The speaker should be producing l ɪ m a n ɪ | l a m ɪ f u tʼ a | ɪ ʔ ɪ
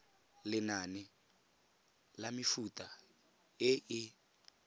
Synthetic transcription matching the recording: l ɪ n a n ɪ | l a m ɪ f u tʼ a | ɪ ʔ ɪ